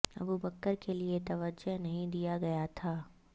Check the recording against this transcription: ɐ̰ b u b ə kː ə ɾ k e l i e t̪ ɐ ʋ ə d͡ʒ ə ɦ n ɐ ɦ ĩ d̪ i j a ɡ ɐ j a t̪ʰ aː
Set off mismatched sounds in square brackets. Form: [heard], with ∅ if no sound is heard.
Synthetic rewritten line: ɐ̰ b u b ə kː ə ɾ k e l i e t̪ ɐ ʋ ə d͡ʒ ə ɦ n ɐ ɦ ĩ d̪ i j a ɡ ɐ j a t̪ʰ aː